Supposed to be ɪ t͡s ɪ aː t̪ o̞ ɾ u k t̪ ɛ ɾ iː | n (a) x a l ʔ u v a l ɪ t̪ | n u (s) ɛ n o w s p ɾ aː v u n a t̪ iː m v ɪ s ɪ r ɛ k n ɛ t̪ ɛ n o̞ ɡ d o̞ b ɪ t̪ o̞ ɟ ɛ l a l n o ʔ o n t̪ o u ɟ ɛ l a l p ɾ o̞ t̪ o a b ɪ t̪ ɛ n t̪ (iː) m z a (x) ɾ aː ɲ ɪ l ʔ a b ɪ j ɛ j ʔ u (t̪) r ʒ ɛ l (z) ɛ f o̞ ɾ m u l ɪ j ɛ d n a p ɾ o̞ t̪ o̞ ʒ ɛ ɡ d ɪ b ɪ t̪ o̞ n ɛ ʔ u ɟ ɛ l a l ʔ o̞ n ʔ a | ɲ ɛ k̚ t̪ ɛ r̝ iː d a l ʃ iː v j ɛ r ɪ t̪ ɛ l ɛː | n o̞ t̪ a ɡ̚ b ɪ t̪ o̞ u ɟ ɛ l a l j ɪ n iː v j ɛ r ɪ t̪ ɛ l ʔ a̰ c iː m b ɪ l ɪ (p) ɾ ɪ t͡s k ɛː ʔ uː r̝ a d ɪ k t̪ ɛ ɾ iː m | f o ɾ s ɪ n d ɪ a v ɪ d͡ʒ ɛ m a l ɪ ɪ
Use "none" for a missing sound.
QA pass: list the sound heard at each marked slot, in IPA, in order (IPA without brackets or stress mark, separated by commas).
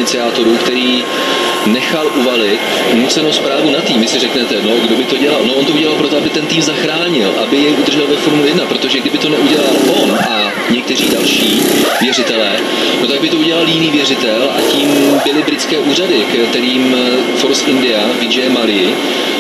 ɛ, t͡s, iː, x, d̪, v, b